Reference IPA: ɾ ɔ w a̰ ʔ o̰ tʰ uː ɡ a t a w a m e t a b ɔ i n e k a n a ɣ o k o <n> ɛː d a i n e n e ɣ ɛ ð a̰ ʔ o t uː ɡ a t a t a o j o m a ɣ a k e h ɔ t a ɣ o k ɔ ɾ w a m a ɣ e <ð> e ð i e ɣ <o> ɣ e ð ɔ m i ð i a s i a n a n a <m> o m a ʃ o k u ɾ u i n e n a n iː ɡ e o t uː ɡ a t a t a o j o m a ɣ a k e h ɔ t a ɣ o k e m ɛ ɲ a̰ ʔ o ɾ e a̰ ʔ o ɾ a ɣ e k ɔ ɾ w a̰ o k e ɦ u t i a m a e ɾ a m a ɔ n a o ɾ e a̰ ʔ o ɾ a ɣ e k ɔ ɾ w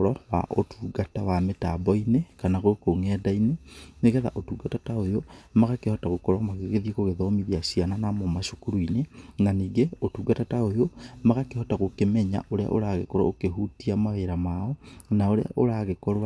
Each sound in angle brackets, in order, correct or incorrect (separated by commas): incorrect, incorrect, correct, correct